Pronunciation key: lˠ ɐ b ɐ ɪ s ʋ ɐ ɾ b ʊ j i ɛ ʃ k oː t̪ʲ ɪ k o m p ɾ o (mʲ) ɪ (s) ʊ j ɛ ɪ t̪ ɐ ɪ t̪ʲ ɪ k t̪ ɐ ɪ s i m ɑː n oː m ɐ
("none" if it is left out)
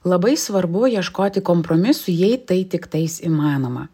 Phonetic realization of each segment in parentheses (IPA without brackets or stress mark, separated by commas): mʲ, s